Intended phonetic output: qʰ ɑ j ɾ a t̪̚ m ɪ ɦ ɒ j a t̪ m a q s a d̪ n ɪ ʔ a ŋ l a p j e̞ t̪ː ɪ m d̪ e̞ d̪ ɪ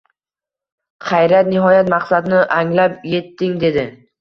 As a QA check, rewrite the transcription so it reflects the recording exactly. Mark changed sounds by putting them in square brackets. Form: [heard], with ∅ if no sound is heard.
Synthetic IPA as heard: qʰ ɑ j ɾ a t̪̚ [n] ɪ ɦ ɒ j a t̪ m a q s a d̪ n ɪ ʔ a ŋ l a p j e̞ t̪ː ɪ [ŋ] d̪ e̞ d̪ ɪ